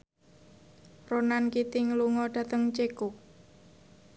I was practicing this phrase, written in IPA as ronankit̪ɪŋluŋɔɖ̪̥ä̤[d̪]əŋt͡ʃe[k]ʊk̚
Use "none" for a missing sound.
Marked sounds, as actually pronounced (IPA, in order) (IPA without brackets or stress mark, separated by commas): t̪, k